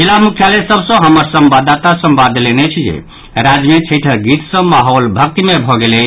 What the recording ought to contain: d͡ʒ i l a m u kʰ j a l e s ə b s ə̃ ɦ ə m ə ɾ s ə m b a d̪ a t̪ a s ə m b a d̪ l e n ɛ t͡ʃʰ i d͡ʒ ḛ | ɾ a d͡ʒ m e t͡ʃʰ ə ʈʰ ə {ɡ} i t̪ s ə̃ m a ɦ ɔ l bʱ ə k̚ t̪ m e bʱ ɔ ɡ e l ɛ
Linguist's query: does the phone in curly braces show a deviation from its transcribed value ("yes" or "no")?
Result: no